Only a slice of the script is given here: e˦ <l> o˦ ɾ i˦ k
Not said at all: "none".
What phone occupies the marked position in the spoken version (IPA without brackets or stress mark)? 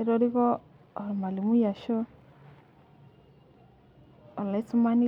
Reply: ɾ